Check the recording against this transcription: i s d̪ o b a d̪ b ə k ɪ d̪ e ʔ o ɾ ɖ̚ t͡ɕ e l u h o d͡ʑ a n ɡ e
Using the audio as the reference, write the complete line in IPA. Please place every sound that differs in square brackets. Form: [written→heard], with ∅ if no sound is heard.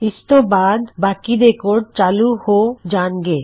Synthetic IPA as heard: i s [d̪→t̪] o b a d̪ b [ə→a] k [ɪ→i] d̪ e [ʔ→k] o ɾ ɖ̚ t͡ɕ [e→a] l u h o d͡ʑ a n ɡ e